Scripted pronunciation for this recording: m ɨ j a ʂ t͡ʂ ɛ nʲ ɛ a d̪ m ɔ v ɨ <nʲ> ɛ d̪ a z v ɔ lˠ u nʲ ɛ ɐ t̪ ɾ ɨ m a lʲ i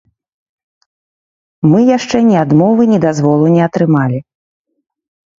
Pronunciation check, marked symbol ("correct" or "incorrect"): correct